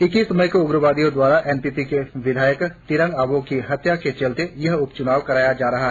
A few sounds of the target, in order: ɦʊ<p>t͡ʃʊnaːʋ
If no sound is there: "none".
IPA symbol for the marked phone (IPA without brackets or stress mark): p